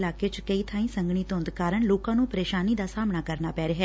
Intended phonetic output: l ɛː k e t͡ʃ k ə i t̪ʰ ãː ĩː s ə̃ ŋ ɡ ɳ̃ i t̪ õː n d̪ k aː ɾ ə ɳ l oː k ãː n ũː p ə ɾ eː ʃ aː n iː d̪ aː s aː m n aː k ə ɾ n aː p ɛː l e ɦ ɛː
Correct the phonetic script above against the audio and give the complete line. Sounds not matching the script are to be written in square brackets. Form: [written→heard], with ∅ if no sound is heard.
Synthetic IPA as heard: l [ɛː→aː] k e t͡ʃ k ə i t̪ʰ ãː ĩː s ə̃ ŋ ɡ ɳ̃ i t̪ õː n d̪ k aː ɾ ə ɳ l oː k ãː n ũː p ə ɾ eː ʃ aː n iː d̪ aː s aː m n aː k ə ɾ n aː p ɛː [l→ɾ] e ɦ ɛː